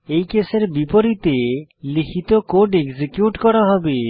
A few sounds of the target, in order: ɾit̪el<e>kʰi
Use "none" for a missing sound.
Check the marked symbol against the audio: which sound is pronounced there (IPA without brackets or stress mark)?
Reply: i